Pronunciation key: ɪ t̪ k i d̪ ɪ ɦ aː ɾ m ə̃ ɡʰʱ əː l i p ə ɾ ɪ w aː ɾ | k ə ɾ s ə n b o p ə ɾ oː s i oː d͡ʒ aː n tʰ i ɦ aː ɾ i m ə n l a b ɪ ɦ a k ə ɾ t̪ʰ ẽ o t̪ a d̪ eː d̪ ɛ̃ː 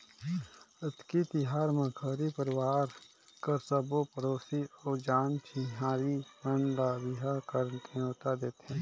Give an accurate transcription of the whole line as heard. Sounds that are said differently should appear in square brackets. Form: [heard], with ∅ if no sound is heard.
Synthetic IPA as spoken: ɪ t̪ k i [t̪] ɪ ɦ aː ɾ m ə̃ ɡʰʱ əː [ɾ] i p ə ɾ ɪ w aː ɾ | k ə ɾ s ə [∅] b o p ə ɾ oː s i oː d͡ʒ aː n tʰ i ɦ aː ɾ i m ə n l a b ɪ ɦ a k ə ɾ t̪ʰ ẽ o t̪ a d̪ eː [t̪] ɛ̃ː